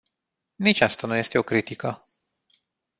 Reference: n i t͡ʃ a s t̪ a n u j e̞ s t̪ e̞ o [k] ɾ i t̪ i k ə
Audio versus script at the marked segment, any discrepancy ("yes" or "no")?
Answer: no